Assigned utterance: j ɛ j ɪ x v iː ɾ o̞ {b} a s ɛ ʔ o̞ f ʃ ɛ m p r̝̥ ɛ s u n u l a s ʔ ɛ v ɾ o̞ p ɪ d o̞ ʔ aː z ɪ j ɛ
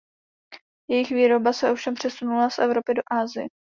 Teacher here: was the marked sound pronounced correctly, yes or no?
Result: yes